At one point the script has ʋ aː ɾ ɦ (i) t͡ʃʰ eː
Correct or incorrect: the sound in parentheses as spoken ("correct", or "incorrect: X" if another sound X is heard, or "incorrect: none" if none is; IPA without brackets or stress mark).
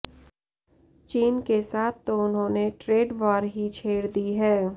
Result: correct